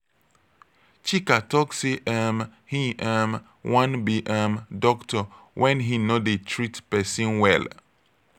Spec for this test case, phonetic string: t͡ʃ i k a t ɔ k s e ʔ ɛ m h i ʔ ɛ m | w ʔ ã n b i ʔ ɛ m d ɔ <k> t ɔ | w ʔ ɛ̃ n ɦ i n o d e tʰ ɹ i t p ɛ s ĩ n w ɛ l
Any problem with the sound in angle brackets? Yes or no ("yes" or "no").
no